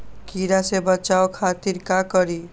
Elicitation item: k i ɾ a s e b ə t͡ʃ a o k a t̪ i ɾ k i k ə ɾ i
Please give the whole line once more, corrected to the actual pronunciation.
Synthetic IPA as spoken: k i ɾ a s e b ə t͡ʃ a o kʰ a t̪ i ɾ k a k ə ɾ i